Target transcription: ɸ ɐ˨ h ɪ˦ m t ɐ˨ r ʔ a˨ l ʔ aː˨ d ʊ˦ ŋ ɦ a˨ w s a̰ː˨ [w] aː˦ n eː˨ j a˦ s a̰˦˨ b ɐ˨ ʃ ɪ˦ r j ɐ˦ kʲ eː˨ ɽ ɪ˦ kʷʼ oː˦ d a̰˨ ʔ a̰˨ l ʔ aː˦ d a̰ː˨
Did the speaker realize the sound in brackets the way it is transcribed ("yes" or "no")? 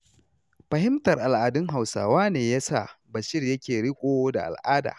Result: yes